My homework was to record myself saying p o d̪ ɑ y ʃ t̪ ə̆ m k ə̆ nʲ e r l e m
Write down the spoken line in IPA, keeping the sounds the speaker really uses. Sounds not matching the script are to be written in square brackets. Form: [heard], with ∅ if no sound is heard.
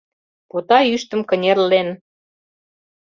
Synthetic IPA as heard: p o [t̪] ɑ y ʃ t̪ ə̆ m k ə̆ nʲ e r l e [n]